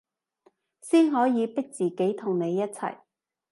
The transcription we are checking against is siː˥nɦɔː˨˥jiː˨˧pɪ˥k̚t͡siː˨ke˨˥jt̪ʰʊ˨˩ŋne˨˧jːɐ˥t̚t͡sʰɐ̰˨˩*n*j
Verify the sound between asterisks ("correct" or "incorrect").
incorrect